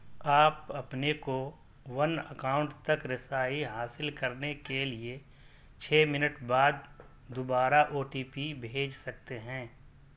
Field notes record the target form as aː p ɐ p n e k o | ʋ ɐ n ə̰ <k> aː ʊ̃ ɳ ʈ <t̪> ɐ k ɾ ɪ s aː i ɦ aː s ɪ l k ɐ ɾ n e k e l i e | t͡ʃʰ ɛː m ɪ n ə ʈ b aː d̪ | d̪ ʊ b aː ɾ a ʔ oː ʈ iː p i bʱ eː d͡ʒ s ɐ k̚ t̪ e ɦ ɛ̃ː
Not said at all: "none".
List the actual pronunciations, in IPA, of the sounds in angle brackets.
k, t̪

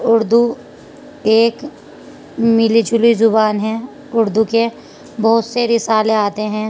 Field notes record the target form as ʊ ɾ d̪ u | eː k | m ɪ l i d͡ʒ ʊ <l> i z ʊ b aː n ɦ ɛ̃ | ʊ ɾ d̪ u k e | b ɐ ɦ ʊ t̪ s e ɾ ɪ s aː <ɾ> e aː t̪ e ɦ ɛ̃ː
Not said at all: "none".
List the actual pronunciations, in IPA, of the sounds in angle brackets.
l, l

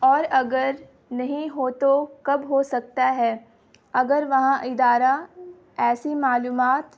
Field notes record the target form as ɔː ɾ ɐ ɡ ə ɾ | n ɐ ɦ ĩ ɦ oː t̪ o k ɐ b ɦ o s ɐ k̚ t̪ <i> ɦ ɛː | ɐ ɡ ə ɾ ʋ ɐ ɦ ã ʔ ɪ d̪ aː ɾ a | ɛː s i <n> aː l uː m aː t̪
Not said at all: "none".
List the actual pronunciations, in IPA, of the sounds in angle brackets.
a, m

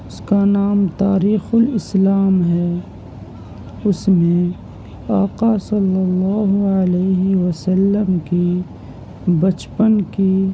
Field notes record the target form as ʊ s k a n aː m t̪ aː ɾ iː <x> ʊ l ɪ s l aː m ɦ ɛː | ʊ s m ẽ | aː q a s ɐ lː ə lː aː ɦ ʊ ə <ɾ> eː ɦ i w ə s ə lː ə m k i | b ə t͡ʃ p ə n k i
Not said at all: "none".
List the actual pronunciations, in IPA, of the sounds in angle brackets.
x, l

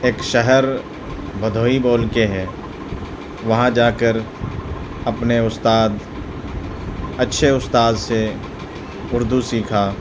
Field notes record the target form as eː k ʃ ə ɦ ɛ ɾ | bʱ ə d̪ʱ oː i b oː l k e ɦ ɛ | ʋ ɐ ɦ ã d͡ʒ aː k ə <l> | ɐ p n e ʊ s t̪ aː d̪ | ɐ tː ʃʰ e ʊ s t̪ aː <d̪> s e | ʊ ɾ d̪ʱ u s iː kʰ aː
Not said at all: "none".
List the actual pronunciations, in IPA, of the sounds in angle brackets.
ɾ, d̪

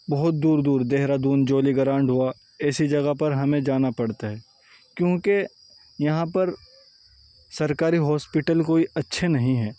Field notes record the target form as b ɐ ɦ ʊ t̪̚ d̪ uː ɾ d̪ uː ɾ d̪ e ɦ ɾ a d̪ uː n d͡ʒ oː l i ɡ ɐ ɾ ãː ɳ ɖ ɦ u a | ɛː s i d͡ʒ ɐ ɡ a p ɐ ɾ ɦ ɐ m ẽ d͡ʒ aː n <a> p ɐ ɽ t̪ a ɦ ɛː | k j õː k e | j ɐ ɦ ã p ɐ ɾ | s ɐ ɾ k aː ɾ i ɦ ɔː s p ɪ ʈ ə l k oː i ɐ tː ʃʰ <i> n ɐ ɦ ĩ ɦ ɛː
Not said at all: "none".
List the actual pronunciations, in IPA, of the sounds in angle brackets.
a, e

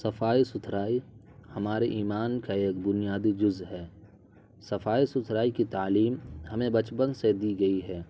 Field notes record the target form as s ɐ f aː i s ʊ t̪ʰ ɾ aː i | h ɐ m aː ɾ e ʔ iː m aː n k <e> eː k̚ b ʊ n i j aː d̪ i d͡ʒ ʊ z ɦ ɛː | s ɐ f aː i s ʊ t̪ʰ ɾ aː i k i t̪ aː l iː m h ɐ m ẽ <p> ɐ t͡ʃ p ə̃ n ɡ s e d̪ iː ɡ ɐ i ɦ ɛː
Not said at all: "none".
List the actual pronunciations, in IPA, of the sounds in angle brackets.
a, b

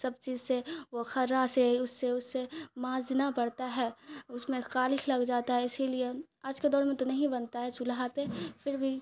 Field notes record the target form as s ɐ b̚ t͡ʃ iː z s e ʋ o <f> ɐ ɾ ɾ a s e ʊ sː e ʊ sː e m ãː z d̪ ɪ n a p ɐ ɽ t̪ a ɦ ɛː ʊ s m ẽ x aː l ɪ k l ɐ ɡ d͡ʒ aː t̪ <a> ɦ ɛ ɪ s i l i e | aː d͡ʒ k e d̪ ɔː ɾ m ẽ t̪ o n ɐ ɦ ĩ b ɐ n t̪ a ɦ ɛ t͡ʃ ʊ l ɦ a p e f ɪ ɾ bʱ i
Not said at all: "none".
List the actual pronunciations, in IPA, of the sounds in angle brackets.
x, a

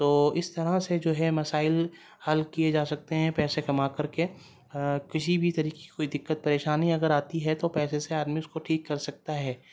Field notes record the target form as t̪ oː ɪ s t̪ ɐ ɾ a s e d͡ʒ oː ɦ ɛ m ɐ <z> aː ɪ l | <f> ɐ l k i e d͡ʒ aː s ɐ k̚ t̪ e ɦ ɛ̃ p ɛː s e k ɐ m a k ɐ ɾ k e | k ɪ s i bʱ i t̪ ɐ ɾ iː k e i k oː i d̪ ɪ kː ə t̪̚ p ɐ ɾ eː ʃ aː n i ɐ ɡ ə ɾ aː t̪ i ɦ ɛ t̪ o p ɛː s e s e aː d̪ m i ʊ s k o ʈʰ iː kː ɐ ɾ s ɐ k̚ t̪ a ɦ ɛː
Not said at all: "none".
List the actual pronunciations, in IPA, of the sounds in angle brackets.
s, h

